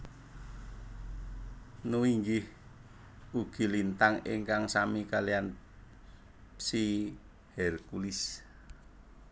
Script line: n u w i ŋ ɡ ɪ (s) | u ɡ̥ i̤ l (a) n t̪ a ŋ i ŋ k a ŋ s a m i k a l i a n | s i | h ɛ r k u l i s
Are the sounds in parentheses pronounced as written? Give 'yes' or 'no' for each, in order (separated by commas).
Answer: no, no